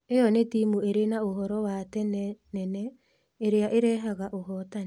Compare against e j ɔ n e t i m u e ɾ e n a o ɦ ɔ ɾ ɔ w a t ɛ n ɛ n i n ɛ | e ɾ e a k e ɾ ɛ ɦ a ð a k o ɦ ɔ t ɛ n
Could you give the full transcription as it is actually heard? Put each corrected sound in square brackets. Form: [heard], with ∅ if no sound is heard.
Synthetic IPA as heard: e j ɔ n e t i m u e ɾ e n a o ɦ ɔ ɾ ɔ w a t ɛ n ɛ n [ɛ] n ɛ | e ɾ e a [ʔ] e ɾ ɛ ɦ a [ɣ] a [ʔ] o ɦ ɔ t [a] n